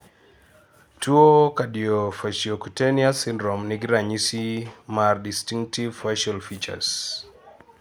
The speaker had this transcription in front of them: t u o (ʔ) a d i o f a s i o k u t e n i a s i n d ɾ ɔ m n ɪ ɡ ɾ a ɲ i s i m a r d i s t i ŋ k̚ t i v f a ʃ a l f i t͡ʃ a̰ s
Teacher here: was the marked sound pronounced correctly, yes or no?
no